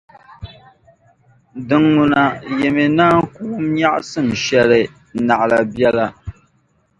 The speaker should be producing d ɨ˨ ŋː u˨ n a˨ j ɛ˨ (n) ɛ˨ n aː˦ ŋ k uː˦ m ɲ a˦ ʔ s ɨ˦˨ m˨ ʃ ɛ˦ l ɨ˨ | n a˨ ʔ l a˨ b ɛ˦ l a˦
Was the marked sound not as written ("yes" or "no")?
yes